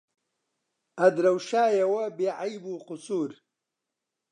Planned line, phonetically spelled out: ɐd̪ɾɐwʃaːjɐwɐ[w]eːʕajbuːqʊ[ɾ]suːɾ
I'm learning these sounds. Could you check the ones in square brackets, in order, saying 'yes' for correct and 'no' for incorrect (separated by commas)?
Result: no, no